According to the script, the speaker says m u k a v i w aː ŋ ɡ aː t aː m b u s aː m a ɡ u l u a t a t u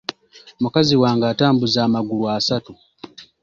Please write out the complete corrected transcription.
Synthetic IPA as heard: m u k a z i w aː ŋ ɡ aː t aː m b u z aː m a ɡ u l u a s a t u